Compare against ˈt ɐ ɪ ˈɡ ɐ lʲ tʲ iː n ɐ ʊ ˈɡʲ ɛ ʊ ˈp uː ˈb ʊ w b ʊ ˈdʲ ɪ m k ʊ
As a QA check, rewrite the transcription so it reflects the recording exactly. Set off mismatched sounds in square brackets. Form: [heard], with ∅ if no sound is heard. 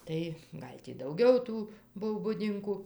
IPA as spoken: ˈt ɐ ɪ ˈɡ ɐ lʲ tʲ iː [d] ɐ ʊ ˈɡʲ ɛ ʊ [ˈt] uː ˈb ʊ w b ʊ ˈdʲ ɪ [ŋ] k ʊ